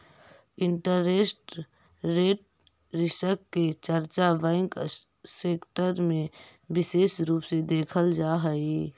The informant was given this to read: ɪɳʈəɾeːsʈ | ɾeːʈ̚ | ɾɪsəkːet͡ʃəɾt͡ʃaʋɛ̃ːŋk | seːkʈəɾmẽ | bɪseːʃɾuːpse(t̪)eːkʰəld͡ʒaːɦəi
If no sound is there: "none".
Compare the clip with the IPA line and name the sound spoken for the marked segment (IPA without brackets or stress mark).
d̪